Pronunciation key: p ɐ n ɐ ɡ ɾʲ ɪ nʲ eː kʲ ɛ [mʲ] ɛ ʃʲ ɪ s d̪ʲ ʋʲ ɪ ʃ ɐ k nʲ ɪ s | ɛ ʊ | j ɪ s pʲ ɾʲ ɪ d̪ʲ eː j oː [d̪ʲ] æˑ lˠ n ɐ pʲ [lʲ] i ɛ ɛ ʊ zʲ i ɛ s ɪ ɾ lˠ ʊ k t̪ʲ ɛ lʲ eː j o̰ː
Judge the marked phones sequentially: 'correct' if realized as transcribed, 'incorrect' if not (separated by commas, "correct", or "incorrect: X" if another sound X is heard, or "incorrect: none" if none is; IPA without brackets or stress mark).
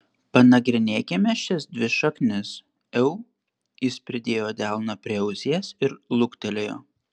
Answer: correct, correct, incorrect: ɾʲ